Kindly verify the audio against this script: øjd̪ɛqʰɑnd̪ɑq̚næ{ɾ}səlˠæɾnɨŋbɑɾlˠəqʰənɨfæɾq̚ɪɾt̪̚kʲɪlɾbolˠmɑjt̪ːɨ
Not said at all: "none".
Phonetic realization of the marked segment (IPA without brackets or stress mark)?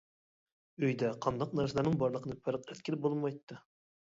ɾ